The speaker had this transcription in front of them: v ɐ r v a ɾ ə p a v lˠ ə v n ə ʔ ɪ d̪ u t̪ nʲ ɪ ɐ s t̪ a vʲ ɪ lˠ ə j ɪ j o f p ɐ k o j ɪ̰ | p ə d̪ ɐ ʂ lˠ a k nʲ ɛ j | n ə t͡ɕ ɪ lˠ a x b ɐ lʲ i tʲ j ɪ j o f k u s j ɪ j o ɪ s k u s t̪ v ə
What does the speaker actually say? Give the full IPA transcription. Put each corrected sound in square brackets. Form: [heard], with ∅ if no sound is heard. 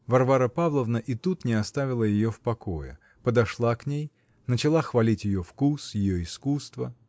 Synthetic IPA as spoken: v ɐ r v a ɾ ə p a v lˠ ə v n ə ʔ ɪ [t̪] u t̪ nʲ ɪ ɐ s t̪ a vʲ ɪ lˠ ə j ɪ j o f p ɐ k o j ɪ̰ | p ə d̪ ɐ ʂ lˠ a k nʲ [e] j | n ə t͡ɕ ɪ lˠ a x [v] ɐ lʲ i tʲ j ɪ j o f k u s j ɪ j o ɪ s k u s t̪ v ə

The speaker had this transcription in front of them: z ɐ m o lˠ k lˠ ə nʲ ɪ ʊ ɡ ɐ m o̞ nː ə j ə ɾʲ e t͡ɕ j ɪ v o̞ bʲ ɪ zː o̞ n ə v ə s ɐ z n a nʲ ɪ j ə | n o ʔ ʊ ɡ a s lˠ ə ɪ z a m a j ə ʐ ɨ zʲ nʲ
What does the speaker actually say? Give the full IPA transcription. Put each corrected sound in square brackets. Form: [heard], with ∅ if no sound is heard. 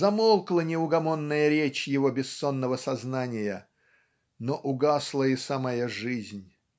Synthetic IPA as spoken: z ɐ m o lˠ k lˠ ə nʲ ɪ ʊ ɡ ɐ m o̞ nː ə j ə ɾʲ e t͡ɕ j ɪ v o̞ bʲ ɪ [sː] o̞ [nː] ə v ə s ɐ z n a nʲ ɪ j ə | n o ʔ ʊ ɡ a s lˠ ə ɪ [s] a m a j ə ʐ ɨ zʲ nʲ

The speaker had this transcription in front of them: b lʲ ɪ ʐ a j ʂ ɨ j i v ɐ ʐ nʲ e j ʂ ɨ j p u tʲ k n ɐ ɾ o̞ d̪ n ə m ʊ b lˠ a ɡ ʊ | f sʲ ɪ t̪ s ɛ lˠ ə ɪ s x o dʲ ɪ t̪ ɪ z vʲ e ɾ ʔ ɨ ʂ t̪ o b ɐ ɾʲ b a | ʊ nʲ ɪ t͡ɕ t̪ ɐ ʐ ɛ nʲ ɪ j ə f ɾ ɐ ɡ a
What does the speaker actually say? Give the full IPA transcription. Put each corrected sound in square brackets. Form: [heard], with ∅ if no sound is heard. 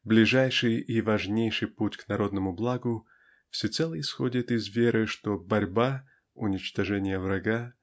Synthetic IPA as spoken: b lʲ ɪ ʐ a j ʂ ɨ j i v ɐ ʐ nʲ e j ʂ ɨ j p u tʲ k n ɐ ɾ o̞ d̪ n ə m ʊ b lˠ a ɡ ʊ | f sʲ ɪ t̪ s ɛ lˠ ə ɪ s x o dʲ ɪ t̪ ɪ z vʲ e ɾ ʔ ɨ ʂ t̪ o b ɐ ɾʲ b a | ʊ nʲ ɪ t͡ɕ t̪ ɐ ʐ ɛ nʲ ɪ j ə [v] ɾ ɐ ɡ a

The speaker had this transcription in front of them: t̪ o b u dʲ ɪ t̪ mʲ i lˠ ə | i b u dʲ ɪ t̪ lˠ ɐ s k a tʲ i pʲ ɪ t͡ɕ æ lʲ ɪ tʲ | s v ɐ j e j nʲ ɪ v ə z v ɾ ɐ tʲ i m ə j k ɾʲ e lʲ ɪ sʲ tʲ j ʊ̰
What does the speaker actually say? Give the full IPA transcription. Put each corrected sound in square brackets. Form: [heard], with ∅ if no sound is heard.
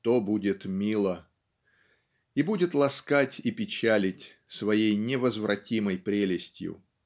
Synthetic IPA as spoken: t̪ o b u dʲ ɪ t̪ mʲ i lˠ ə | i b u dʲ ɪ t̪ lˠ ɐ s k a tʲ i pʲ ɪ t͡ɕ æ lʲ ɪ tʲ | s v ɐ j e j nʲ ɪ v ə z v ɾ ɐ tʲ i m ə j [p] ɾʲ e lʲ ɪ sʲ tʲ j ʊ̰

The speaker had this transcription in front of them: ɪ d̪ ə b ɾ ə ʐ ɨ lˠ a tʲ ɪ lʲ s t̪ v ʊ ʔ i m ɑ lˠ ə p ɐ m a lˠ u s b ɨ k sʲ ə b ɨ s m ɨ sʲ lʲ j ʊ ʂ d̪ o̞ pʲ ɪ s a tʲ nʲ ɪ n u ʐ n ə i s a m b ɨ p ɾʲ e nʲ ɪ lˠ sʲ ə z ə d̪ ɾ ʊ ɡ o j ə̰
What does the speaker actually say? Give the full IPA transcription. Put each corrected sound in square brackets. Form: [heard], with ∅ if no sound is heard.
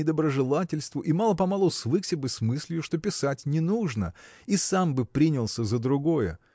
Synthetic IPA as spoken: ɪ d̪ ə b ɾ ə ʐ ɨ lˠ a tʲ ɪ lʲ s t̪ v ʊ ʔ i m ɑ lˠ ə p ɐ m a lˠ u s [v] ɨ k sʲ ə b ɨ s m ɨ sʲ lʲ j ʊ ʂ [t̪] o̞ pʲ ɪ s a tʲ nʲ ɪ n u ʐ n ə i s a m b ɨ p ɾʲ [i] nʲ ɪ lˠ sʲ ə z ə d̪ ɾ ʊ ɡ o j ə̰

